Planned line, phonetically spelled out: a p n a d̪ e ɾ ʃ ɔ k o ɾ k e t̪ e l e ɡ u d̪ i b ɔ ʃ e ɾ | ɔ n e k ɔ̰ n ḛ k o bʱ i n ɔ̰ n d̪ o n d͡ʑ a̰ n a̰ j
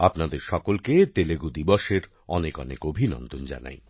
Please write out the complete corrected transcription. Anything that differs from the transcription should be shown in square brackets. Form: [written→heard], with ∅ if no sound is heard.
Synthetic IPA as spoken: a p n a d̪ e ɾ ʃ ɔ k o [ɾ→l] k e t̪ e l e ɡ u d̪ i b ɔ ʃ e ɾ | ɔ n e k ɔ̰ n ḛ k o bʱ i n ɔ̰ n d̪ o n d͡ʑ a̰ n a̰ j